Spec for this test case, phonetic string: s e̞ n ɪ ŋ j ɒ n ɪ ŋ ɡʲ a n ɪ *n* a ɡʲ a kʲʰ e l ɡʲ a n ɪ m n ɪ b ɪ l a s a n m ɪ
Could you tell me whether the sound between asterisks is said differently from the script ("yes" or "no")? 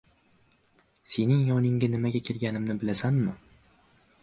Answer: yes